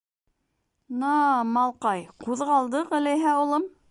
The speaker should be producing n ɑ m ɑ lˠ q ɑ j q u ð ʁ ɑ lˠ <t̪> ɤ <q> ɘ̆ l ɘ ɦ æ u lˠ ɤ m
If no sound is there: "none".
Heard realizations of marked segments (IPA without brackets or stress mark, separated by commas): d̪, q